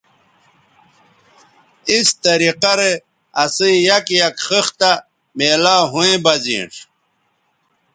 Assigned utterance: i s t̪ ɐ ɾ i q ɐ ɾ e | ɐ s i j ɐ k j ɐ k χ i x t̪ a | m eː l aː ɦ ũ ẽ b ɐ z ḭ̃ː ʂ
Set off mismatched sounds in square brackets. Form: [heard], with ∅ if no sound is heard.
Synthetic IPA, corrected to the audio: i s t̪ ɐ ɾ i q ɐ ɾ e | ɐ s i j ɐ k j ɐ k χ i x t̪ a | m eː l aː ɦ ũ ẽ b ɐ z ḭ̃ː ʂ